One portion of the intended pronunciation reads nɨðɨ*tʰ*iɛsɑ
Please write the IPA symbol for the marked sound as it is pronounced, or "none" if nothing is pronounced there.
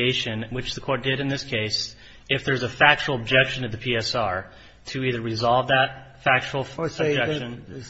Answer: pʰ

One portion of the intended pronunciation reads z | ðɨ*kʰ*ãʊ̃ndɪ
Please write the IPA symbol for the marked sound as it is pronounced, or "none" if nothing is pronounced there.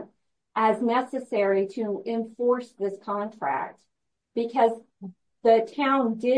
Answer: tʰ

